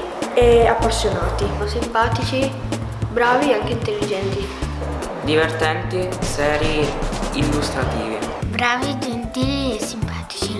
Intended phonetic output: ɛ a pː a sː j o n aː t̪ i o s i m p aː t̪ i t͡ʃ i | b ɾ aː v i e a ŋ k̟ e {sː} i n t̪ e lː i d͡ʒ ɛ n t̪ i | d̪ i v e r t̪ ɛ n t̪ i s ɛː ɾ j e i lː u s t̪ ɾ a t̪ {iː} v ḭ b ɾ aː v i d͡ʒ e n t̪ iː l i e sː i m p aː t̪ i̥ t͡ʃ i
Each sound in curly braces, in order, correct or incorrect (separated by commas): incorrect, correct